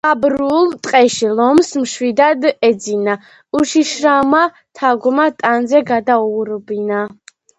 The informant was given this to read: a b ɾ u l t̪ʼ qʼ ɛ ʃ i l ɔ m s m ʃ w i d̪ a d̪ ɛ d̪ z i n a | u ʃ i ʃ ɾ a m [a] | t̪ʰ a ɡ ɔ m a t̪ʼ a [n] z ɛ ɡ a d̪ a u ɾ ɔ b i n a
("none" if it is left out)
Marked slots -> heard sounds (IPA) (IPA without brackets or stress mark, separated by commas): a, n